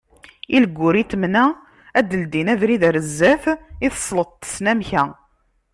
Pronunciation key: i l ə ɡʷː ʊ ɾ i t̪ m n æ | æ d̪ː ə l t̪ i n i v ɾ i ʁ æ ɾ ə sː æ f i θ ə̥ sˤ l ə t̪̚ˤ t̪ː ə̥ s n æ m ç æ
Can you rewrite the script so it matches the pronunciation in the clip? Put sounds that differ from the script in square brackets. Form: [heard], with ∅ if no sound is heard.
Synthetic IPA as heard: i l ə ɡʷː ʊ ɾ i t̪ m n æ | æ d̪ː ə l [d̪] i n [æ] v ɾ i [ð] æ ɾ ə [zː] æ f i θ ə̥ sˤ l ə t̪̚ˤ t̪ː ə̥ s n æ m ç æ